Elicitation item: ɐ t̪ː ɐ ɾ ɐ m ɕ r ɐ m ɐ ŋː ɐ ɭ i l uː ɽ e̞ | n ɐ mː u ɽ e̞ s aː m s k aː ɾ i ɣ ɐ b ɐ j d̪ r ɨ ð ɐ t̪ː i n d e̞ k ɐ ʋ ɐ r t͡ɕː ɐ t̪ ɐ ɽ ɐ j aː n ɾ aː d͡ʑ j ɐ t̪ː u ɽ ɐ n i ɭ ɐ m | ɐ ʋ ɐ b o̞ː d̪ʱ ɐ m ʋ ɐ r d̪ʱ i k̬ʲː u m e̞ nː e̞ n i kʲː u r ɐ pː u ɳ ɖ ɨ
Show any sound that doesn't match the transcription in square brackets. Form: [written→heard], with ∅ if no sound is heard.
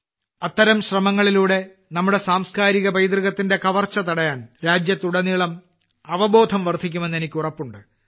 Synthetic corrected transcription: ɐ t̪ː ɐ ɾ ɐ m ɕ r ɐ m ɐ ŋː ɐ ɭ i l uː ɽ e̞ | n ɐ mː u ɽ e̞ s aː m s k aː ɾ i ɣ ɐ b ɐ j d̪ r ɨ [ð→ɣ] ɐ t̪ː i n d e̞ k ɐ ʋ ɐ r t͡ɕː ɐ t̪ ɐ ɽ ɐ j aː n ɾ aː d͡ʑ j ɐ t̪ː u ɽ ɐ n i ɭ ɐ m | ɐ ʋ ɐ b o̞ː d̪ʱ ɐ m ʋ ɐ r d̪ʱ i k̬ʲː u m e̞ nː e̞ n i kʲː u r ɐ pː u ɳ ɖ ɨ